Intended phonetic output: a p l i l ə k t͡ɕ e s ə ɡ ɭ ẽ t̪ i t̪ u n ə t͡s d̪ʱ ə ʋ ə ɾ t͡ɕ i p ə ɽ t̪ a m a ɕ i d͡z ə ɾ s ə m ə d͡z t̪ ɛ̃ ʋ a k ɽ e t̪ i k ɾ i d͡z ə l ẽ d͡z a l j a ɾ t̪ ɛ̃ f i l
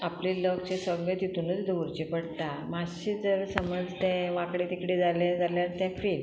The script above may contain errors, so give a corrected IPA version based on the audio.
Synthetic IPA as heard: a p l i l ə k t͡ɕ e s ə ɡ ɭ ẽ t̪ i t̪ u n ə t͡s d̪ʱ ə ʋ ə ɾ t͡ɕ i p ə ɽ t̪ a m a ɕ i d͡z ə ɾ s ə m ə d͡z t̪ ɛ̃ ʋ a k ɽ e t̪ i k ɽ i d͡z a l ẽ d͡z a l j a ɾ t̪ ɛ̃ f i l